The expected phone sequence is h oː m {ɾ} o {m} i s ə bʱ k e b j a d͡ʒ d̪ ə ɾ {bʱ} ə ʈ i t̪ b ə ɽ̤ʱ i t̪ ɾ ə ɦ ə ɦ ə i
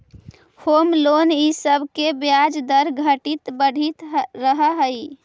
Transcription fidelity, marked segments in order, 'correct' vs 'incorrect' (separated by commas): incorrect, incorrect, incorrect